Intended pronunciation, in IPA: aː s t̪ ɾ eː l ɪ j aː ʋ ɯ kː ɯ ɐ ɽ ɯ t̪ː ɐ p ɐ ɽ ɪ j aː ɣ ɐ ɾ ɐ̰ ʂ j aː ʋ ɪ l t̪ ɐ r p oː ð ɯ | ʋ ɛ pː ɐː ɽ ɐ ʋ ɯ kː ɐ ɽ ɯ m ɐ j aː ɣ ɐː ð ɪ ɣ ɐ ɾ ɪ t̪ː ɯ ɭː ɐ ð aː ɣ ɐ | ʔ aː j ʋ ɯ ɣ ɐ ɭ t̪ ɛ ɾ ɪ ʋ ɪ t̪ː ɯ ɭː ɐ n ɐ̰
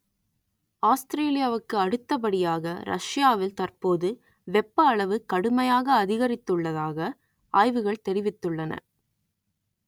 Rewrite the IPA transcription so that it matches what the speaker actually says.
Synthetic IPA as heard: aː s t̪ ɾ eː l ɪ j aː ʋ ɯ kː ɯ ɐ ɽ ɯ t̪ː ɐ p ɐ ɽ ɪ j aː ɣ ɐ ɾ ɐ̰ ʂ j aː ʋ ɪ l t̪ ɐ r p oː ð ɯ | ʋ ɛ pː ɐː ɭ ɐ ʋ ɯ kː ɐ ɽ ɯ m ɐ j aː ɣ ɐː ð ɪ ɣ ɐ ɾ ɪ t̪ː ɯ ɭː ɐ ð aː ɣ ɐ | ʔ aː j ʋ ɯ ɣ ɐ ɭ t̪ ɛ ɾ ɪ ʋ ɪ t̪ː ɯ ɭː ɐ n ɐ̰